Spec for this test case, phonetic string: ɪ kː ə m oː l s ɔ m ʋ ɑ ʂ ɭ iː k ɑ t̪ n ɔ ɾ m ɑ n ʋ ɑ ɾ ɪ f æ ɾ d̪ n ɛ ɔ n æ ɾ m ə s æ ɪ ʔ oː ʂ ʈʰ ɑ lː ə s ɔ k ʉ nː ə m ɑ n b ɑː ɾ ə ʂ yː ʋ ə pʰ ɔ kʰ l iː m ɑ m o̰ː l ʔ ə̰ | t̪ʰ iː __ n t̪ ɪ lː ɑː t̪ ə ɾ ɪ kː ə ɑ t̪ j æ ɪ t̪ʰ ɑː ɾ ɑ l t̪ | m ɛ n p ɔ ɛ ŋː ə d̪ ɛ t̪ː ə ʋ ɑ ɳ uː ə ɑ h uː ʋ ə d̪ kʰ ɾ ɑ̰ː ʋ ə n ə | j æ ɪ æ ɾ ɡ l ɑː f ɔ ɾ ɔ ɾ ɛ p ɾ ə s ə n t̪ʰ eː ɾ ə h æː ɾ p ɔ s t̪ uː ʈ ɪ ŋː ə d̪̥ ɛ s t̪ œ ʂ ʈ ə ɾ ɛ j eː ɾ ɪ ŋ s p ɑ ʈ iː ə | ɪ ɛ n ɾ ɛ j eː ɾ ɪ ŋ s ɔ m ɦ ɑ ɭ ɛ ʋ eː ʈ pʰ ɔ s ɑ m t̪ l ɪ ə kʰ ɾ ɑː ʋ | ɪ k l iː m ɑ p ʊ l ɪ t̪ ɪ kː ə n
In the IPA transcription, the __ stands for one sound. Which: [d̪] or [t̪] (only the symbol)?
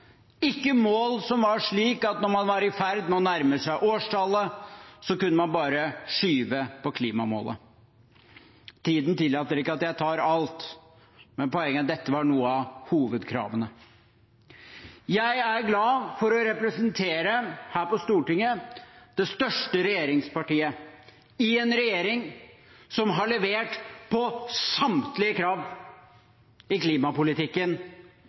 d̪